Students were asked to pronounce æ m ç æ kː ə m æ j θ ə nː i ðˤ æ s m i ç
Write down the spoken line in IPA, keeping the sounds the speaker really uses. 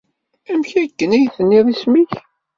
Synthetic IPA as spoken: æ m ç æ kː ə n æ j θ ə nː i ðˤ i s m i ç